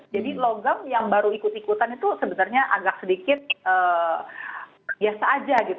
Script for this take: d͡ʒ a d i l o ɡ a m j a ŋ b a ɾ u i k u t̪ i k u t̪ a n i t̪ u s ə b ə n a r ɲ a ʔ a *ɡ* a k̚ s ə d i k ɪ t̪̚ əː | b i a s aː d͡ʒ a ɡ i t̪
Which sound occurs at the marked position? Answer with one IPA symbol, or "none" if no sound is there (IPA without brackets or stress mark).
ɡ